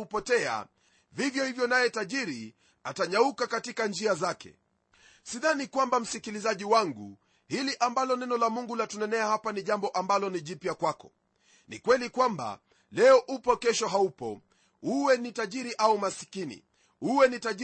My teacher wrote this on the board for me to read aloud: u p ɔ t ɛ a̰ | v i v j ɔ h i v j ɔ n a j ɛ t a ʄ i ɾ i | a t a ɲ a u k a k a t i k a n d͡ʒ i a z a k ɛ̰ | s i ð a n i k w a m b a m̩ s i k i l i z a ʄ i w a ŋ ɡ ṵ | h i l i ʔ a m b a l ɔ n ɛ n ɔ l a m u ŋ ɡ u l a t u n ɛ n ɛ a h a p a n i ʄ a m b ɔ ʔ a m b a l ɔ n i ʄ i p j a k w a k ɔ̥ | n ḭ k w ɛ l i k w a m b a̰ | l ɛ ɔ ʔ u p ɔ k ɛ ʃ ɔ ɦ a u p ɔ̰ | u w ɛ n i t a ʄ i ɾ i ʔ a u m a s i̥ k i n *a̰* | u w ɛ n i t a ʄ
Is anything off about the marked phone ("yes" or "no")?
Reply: yes